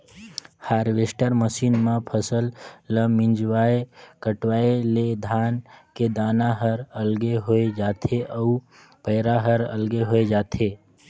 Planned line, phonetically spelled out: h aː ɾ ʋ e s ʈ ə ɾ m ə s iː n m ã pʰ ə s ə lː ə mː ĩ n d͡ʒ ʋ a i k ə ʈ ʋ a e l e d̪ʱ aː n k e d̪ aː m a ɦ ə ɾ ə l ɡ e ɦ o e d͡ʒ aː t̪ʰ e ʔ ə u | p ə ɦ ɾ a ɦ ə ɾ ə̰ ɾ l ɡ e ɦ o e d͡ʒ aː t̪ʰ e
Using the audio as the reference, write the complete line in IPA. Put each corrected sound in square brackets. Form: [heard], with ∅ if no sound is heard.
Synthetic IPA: h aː ɾ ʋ e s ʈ ə ɾ m ə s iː n m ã pʰ ə s ə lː ə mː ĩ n d͡ʒ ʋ a [e] k ə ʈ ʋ a e l e d̪ʱ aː n k e d̪ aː [n] a ɦ ə ɾ ə l ɡ e ɦ o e d͡ʒ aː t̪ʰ e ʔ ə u | p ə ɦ ɾ a ɦ ə ɾ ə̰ [∅] l ɡ e ɦ o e d͡ʒ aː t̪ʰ e